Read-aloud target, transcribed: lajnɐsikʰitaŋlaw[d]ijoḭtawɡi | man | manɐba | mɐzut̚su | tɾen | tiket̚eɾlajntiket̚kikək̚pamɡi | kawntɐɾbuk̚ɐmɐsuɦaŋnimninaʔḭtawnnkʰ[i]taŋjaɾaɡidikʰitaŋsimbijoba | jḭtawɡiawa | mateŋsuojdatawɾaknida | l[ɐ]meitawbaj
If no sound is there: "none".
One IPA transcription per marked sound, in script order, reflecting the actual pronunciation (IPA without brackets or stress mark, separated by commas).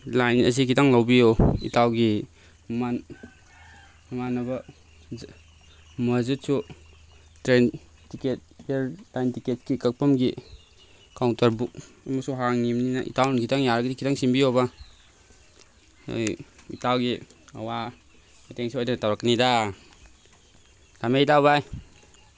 b, i, a